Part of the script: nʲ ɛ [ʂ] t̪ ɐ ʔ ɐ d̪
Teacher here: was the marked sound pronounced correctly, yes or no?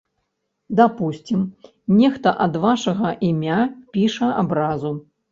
no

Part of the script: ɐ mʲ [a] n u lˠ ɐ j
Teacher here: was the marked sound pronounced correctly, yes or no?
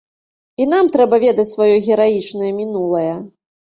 no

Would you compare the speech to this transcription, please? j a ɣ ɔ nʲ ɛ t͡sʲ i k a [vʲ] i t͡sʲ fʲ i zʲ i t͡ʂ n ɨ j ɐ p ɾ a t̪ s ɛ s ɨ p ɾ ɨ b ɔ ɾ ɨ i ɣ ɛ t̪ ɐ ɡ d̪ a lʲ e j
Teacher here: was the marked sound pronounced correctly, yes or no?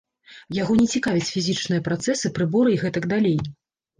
yes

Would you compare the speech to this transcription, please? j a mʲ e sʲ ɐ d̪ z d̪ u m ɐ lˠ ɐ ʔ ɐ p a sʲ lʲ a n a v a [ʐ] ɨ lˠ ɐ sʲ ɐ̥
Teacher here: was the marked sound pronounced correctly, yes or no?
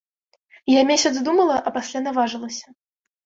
yes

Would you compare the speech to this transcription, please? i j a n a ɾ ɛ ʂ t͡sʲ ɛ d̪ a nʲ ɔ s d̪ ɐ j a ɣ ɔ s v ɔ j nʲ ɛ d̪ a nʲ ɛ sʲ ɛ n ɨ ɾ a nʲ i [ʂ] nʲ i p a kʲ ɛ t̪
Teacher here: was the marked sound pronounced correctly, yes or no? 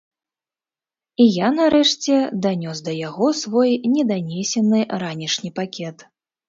yes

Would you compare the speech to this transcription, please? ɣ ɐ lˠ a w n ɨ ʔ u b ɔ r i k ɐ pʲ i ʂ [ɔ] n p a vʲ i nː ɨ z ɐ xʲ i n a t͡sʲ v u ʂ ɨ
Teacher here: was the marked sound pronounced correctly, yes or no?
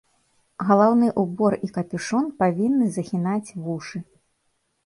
yes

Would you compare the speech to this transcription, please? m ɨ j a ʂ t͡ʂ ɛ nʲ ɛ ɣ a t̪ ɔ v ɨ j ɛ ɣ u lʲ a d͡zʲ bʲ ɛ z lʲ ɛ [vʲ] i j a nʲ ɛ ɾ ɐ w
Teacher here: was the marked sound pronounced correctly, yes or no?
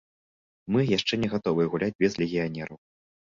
no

